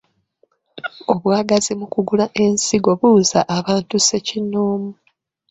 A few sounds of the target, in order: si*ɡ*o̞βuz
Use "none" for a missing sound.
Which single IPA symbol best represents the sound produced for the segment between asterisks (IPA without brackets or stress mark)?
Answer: ɡ